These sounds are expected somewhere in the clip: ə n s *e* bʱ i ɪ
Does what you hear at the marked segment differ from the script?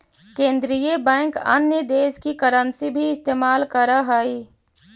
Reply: yes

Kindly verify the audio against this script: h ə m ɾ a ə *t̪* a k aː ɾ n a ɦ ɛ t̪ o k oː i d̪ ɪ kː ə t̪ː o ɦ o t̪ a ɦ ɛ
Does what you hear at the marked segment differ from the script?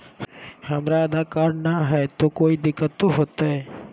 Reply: yes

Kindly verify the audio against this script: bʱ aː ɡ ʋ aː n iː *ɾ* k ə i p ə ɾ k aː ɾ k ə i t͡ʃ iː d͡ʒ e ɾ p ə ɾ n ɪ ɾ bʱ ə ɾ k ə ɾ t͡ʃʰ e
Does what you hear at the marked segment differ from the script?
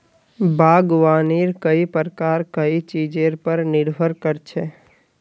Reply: no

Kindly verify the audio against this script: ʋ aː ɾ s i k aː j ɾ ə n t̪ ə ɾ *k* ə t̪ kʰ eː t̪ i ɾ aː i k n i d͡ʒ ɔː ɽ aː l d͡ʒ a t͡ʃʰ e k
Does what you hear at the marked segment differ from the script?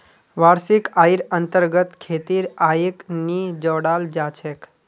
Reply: yes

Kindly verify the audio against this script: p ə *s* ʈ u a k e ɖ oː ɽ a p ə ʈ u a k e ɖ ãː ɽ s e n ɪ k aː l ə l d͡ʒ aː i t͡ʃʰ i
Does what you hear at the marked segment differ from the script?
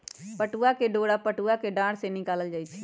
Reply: yes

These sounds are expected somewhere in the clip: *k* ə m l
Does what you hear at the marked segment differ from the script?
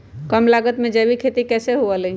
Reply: no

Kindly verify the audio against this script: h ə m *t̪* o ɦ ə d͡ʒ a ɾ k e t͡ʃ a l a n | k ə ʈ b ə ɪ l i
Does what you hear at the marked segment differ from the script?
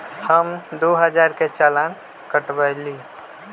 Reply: yes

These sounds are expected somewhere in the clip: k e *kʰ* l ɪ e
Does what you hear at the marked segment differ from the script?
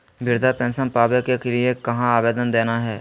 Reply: yes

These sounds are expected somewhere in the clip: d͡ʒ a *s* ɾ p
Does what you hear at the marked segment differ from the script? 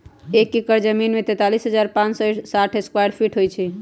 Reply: yes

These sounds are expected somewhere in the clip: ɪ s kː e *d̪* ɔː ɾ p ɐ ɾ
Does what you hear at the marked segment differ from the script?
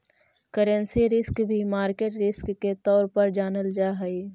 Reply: yes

